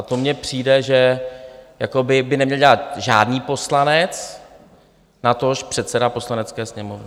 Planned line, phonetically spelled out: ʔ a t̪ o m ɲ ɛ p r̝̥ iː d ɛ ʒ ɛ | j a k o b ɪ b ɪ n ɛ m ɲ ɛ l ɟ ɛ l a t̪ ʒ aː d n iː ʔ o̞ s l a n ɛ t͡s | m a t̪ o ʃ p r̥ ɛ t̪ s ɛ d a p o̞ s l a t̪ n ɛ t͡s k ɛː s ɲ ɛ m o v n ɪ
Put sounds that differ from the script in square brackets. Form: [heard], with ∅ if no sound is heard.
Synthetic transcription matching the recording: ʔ a t̪ o m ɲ ɛ p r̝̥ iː d ɛ ʒ ɛ | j a k o b ɪ b ɪ n ɛ m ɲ ɛ l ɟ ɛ l a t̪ ʒ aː d n iː [p] o̞ s l a n ɛ t͡s | [n] a t̪ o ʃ p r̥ ɛ t̪ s ɛ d a p o̞ s l a [∅] n ɛ t͡s k ɛː s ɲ ɛ m o v n ɪ